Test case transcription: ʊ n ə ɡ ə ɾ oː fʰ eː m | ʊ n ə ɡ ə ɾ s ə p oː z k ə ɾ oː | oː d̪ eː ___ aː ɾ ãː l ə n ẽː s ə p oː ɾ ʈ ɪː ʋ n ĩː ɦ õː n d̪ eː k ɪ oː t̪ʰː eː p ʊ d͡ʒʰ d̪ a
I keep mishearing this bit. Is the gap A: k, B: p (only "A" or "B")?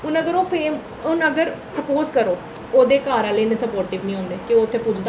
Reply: A